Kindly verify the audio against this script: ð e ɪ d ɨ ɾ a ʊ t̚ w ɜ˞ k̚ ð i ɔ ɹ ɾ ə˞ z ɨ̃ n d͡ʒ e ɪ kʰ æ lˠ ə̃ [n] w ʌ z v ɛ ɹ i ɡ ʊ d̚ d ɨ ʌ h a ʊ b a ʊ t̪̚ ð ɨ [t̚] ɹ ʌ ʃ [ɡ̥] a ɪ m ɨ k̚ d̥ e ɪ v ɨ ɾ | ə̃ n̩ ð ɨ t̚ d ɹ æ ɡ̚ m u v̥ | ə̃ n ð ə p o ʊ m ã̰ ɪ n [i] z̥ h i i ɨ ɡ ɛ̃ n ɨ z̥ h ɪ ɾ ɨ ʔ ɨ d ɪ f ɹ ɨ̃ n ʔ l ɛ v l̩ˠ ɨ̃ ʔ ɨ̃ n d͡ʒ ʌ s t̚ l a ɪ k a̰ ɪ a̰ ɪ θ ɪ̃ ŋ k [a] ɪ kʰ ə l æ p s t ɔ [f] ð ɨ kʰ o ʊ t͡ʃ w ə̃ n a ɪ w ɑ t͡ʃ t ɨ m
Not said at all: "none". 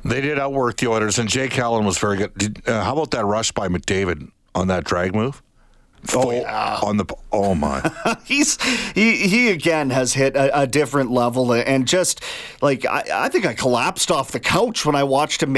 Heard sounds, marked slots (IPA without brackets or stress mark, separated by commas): n, t̚, b̥, i, a, f